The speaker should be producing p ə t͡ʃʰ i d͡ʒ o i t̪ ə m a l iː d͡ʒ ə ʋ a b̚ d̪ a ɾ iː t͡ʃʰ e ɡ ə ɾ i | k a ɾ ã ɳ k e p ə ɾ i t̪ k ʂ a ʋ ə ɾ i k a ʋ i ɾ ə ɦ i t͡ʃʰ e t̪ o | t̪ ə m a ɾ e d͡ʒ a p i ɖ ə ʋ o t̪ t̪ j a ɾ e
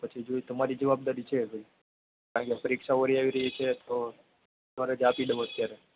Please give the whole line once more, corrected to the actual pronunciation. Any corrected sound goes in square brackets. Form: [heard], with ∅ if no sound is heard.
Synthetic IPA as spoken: p ə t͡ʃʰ i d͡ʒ o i t̪ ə m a [ɾ] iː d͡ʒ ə ʋ a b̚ d̪ a ɾ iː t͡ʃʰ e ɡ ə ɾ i | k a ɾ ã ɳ k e p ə ɾ i [∅] k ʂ a ʋ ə ɾ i [∅] a ʋ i ɾ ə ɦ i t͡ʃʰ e t̪ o | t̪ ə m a ɾ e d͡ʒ a p i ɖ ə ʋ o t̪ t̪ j a ɾ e